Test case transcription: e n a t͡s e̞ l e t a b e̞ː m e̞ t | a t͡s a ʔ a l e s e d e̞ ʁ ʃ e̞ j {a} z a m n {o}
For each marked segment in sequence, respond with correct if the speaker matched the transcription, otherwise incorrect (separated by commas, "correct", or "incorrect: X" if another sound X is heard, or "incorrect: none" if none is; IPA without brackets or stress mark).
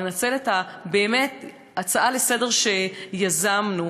correct, incorrect: u